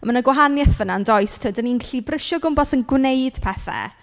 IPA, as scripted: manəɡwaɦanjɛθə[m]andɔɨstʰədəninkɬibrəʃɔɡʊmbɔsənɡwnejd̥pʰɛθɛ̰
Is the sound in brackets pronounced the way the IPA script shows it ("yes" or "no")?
no